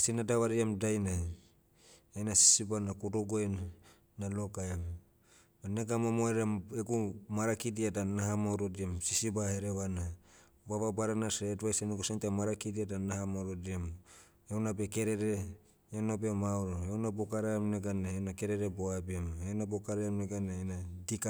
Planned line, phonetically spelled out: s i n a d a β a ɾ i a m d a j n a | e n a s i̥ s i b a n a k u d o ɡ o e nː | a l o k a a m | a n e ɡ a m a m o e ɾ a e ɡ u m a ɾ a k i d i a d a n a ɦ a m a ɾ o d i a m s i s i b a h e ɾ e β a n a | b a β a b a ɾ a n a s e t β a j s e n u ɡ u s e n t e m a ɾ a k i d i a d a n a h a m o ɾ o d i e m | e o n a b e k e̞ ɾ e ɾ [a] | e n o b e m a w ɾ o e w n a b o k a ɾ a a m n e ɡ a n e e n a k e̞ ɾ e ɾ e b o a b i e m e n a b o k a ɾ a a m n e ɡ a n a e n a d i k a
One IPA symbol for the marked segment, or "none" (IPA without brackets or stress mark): e